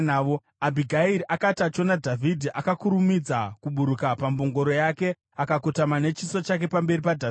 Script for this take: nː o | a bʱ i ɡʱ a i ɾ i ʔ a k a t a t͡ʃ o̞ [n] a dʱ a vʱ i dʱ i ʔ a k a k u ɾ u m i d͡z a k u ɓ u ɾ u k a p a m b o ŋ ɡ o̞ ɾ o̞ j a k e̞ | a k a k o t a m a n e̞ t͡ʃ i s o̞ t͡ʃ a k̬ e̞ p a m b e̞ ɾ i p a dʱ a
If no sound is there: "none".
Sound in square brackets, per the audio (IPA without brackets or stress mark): n